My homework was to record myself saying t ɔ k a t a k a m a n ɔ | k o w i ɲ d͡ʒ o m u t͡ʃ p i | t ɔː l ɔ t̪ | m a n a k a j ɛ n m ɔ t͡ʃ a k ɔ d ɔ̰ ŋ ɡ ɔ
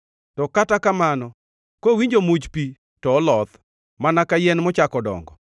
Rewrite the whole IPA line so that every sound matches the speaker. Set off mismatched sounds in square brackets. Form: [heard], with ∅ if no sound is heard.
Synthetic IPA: t ɔ k a t a k a m a n ɔ | k o w i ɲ d͡ʒ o m u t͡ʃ p i | t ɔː l ɔ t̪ | m a n a k a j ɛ n m ɔ t͡ʃ a k ɔ d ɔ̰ ŋ ɡ ɔ